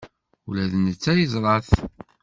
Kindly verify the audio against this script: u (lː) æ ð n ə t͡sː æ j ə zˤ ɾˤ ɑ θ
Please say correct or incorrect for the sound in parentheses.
incorrect